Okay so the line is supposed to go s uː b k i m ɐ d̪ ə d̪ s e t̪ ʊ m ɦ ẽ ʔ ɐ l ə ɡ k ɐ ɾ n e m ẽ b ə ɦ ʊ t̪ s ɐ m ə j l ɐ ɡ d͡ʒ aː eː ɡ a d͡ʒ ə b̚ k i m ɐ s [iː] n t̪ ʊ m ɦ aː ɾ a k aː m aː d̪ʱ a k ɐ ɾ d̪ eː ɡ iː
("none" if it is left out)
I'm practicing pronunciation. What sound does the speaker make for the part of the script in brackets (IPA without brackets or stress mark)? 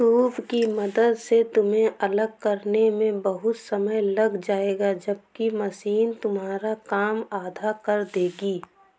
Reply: iː